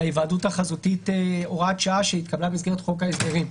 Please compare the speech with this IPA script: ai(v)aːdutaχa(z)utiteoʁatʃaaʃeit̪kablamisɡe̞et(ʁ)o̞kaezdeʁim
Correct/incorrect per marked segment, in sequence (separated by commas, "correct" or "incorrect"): correct, correct, incorrect